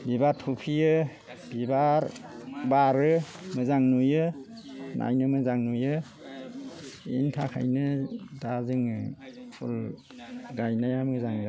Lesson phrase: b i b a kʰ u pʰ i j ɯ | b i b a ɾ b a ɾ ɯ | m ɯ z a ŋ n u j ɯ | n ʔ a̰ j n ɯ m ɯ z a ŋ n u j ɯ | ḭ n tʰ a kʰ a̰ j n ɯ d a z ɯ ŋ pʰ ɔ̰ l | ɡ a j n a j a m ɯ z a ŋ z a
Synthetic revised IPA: b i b a tʰ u pʰ i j ɯ | b i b a ɾ b a ɾ ɯ | m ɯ z a ŋ n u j ɯ | n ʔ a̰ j n ɯ m ɯ z a ŋ n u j ɯ | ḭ n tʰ a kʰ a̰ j n ɯ d a z ɯ ŋ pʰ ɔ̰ l | ɡ a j n a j a m ɯ z a ŋ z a